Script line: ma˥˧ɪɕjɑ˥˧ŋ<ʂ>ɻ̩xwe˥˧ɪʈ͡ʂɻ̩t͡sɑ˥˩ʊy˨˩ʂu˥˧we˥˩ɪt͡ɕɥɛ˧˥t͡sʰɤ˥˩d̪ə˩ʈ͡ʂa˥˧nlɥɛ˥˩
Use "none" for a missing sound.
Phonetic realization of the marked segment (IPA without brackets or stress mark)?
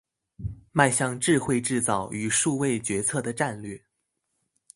ʈ͡ʂ